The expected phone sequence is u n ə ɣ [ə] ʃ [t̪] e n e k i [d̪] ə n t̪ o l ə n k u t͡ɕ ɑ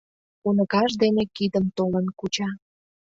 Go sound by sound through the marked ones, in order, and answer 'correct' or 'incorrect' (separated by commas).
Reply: incorrect, incorrect, correct